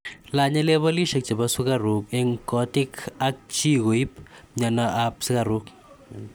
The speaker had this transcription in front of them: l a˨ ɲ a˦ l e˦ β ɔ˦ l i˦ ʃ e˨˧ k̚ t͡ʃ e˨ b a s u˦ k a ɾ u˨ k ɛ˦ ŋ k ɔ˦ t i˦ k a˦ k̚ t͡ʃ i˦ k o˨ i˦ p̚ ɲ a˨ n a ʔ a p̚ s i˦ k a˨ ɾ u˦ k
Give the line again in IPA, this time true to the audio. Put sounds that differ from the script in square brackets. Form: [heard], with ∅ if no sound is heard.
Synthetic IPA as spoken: l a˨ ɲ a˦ l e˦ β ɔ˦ l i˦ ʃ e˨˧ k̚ t͡ʃ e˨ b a s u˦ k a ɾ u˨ k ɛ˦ ŋ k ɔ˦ t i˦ k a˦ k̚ t͡ʃ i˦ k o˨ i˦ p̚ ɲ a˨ n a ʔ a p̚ s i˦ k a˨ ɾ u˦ k